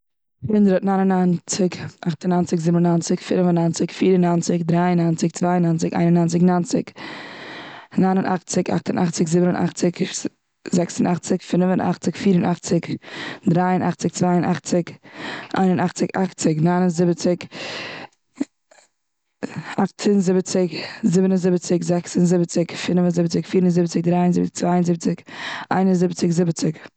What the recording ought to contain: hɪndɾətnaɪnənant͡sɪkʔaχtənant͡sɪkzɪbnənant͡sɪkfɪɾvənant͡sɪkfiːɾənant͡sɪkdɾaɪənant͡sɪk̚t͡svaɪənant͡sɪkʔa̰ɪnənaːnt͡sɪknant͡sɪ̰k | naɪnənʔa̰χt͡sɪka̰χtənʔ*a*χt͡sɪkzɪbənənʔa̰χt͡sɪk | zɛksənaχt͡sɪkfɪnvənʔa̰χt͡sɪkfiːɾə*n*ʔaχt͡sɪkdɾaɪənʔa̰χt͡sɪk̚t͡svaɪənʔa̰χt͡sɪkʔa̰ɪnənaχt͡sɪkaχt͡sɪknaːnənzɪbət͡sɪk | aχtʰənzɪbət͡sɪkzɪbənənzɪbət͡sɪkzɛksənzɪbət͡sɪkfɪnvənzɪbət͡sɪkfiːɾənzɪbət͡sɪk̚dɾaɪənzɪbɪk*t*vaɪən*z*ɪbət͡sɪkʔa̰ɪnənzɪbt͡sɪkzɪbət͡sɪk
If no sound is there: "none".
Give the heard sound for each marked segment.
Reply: a, n, t͡s, z

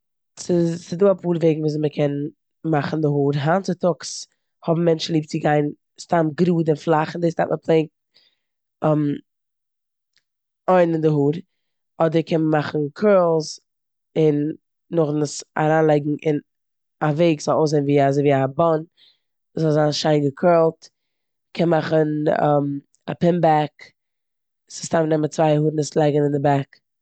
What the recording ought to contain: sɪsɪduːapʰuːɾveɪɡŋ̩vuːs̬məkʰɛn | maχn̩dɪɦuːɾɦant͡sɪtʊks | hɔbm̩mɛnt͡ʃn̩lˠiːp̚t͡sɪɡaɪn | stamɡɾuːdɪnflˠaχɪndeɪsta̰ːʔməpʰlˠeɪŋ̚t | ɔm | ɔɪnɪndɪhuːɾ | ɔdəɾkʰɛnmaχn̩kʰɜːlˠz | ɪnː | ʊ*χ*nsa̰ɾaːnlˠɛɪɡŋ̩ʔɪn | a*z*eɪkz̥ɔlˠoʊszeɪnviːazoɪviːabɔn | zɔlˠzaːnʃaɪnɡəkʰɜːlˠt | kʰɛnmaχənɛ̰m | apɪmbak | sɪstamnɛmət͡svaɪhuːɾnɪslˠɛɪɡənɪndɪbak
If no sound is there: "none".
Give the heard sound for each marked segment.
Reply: χ, v

